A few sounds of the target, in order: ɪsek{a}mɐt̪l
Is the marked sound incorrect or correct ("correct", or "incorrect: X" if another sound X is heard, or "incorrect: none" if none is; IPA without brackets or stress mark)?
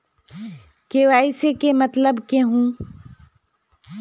incorrect: e